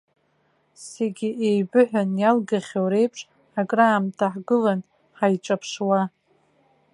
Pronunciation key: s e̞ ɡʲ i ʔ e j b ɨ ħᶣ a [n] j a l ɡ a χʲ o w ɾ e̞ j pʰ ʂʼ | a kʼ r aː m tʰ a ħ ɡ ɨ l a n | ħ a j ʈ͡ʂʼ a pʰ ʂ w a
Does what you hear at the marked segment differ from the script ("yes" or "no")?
no